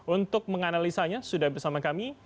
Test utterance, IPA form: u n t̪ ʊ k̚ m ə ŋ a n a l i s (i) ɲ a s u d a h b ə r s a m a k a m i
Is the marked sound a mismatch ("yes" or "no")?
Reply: yes